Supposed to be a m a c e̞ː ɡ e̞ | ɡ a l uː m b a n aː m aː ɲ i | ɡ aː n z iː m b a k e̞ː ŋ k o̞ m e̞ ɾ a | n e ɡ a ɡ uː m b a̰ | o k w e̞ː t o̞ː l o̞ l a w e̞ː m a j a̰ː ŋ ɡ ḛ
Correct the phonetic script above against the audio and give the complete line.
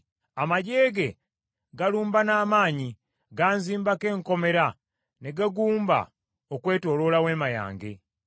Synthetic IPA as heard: a m a ɟ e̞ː ɡ e̞ | ɡ a l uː m b a n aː m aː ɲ i | ɡ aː n z iː m b a k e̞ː ŋ k o̞ m e̞ ɾ a | n e ɡ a ɡ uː m b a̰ | o k w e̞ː t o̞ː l o̞ l a w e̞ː m a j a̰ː ŋ ɡ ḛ